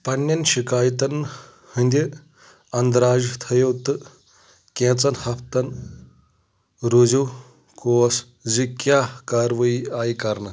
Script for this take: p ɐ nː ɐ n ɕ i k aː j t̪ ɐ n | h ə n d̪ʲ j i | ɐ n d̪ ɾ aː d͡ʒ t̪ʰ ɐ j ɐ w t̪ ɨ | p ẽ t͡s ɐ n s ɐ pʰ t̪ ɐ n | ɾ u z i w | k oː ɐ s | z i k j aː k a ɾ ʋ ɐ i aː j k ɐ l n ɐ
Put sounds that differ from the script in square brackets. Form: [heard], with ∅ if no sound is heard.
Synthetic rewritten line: p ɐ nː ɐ n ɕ i k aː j t̪ ɐ n | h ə n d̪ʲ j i | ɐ n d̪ ɾ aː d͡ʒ t̪ʰ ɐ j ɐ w t̪ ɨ | [k] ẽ t͡s ɐ n [h] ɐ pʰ t̪ ɐ n | ɾ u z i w | k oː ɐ s | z i k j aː k a ɾ ʋ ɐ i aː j k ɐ [ɾ] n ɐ